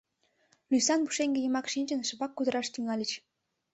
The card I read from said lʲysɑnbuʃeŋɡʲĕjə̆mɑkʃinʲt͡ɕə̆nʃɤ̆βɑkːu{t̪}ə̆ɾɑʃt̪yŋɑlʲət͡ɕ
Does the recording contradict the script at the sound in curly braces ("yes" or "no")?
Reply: yes